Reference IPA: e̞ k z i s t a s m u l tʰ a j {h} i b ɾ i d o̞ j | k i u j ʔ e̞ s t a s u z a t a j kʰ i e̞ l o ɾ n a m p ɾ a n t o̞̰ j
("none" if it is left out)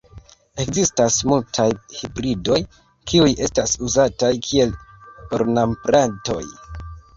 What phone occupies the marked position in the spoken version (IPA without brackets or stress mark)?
h